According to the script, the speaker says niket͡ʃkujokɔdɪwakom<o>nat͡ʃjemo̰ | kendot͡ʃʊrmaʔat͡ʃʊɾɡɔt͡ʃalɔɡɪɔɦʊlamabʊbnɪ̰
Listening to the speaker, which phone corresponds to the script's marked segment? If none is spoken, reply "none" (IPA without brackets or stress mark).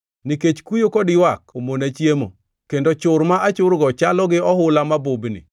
o